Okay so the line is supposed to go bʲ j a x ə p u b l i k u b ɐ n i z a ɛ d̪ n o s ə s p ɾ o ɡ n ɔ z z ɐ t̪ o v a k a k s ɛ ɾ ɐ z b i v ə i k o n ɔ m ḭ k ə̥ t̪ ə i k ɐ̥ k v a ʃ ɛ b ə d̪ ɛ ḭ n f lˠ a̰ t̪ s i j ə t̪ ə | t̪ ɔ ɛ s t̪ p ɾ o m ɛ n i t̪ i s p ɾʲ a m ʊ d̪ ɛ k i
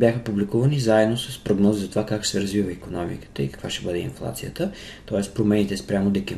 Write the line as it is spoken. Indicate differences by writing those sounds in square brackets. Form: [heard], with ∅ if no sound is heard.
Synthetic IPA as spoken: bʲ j a x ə p u b l i k u [v] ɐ n i z a ɛ d̪ n o s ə s p ɾ o ɡ n ɔ z z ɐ t̪ o v a k a k s ɛ ɾ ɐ z [v] i v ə i k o n ɔ m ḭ k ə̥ t̪ ə i k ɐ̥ k v a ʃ ɛ b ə d̪ ɛ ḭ n f lˠ a̰ t̪ s i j ə t̪ ə | t̪ ɔ ɛ s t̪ p ɾ o m ɛ n i t̪ [ɛ] s p ɾʲ a m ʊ d̪ ɛ k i